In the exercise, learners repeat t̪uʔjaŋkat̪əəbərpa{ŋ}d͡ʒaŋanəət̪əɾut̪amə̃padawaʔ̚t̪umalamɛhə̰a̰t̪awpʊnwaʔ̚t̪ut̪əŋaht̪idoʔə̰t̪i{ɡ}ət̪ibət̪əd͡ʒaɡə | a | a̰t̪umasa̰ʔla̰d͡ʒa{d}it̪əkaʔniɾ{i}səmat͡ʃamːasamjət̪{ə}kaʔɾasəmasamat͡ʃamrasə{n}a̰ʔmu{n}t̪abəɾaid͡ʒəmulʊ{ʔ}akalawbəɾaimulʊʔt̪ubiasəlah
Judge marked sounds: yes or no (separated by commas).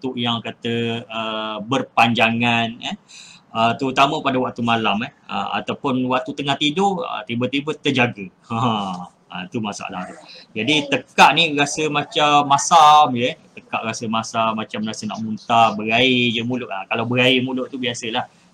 no, no, yes, no, yes, yes, yes, yes